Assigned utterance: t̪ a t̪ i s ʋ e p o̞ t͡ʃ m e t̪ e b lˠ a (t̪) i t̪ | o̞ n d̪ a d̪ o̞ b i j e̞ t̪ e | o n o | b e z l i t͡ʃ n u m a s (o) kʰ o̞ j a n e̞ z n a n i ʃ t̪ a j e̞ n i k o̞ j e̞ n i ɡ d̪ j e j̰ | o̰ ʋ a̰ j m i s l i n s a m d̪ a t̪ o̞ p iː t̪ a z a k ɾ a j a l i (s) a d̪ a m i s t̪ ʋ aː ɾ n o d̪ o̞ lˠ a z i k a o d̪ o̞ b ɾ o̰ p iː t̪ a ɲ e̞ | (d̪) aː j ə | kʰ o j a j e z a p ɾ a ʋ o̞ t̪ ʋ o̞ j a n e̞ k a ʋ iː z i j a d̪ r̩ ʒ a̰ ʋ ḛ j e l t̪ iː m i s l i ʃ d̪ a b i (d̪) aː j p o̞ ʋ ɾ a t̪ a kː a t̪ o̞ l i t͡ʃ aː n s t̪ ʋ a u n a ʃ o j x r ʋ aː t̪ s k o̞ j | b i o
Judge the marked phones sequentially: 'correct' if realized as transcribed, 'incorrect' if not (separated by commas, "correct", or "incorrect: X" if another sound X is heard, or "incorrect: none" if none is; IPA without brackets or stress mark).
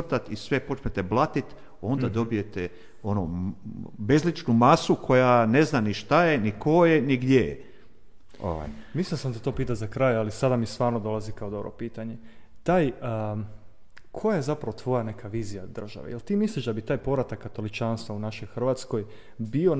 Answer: correct, incorrect: u, correct, incorrect: t̪, incorrect: t̪